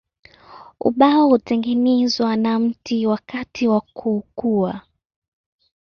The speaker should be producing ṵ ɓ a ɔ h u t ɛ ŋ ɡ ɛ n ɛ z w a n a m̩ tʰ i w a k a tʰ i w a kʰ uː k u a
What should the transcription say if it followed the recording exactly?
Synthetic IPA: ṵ ɓ a ɔ h u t ɛ ŋ ɡ ɛ n ɛ z w a n a m̩ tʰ i w a k a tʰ i w a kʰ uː k u a

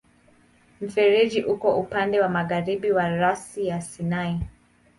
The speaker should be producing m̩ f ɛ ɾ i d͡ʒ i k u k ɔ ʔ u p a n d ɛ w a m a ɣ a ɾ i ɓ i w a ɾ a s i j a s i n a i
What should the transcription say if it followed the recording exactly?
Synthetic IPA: m̩ f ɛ ɾ i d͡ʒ i ʔ u k ɔ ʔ u p a n d ɛ w a m a ɣ a ɾ i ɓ i w a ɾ a s i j a s i n a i

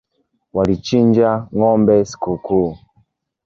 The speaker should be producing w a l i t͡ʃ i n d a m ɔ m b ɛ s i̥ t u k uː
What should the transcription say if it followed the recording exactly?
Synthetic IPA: w a l i t͡ʃ i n d͡ʒ a ŋ ɔ m b ɛ s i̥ k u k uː

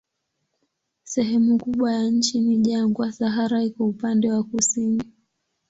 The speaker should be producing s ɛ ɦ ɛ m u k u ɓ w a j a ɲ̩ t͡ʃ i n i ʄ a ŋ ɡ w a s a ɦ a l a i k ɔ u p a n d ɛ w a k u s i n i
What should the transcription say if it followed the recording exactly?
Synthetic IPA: s ɛ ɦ ɛ m u k u ɓ w a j a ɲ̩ t͡ʃ i n i ʄ a ŋ ɡ w a s a ɦ a ɾ a i k ɔ u p a n d ɛ w a k u s i n i

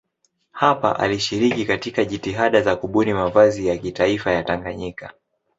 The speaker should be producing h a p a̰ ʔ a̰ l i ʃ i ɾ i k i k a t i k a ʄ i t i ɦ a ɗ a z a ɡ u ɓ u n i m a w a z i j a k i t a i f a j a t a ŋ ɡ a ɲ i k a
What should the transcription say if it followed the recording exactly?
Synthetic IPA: h a p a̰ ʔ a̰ l i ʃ i ɾ i k i k a t i k a ʄ i t i ɦ a ɗ a z a k u ɓ u n i m a v a z i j a k i t a i f a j a t a ŋ ɡ a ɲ i k a

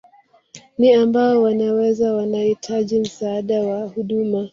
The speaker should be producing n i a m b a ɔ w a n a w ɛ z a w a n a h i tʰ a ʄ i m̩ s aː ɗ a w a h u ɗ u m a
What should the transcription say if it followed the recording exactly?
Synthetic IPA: n i a m b a ɔ w a n a w ɛ z a w a n a h i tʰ a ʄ i m̩ s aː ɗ a w a h u ɗ u m a

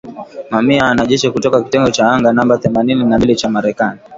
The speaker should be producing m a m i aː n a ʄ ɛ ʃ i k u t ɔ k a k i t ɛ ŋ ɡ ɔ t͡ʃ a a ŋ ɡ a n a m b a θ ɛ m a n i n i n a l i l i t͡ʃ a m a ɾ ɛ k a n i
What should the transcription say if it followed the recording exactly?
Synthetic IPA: m a m i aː n a ʄ ɛ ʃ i k u t ɔ k a k i t ɛ ŋ ɡ ɔ t͡ʃ a a ŋ ɡ a n a m b a θ ɛ m a n i n i n a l i l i t͡ʃ a m a ɾ ɛ k a n i

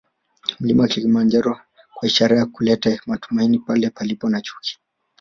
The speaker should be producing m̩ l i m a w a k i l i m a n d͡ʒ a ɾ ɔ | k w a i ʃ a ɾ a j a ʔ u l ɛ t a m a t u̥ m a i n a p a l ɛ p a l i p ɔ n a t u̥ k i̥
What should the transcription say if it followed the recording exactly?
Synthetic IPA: m̩ l i m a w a k i l i m a n d͡ʒ a ɾ ɔ | k w a i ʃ a ɾ a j a k u l ɛ t a m a t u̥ m a i n i p a l ɛ p a l i p ɔ n a t͡ʃ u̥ k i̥

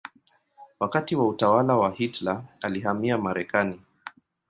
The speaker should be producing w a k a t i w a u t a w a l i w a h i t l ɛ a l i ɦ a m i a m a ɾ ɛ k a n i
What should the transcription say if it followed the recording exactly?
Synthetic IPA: w a k a t i w a u t a w a l a w a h i t l a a l i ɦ a m i a m a ɾ ɛ k a n i

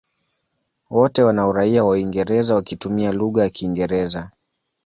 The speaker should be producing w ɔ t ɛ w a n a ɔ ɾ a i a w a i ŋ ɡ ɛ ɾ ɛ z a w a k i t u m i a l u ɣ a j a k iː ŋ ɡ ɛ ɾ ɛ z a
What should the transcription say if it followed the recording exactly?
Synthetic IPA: w ɔ t ɛ w a n a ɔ ɾ a i a w a i ŋ ɡ ɛ ɾ ɛ z a w a k i t u m i a l u ɣ a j a k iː ŋ ɡ ɛ ɾ ɛ z a

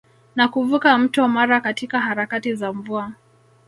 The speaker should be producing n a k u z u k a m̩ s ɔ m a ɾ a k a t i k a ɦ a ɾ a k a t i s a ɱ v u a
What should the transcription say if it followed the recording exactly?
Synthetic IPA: n a k u v u k a m̩ t ɔ m a ɾ a k a t i k a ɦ a ɾ a k a t i z a ɱ v u a

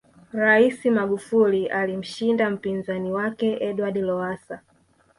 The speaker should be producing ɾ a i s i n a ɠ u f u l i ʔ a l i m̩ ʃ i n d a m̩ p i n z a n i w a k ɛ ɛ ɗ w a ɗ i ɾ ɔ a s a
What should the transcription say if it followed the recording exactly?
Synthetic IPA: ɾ a i s i m a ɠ u f u l i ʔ a l i m̩ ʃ i n d a m̩ p i n z a n i w a k ɛ ɛ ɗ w a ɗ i l ɔ a s a

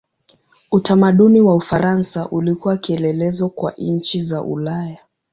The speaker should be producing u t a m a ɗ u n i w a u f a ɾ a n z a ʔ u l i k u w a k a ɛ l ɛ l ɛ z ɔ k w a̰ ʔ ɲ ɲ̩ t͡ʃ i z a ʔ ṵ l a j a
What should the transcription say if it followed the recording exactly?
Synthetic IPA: u t a m a ɗ u n i w a u f a ɾ a n s a ʔ u l i k u w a k i ɛ l ɛ l ɛ z ɔ k w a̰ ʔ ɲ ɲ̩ t͡ʃ i z a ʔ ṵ l a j a

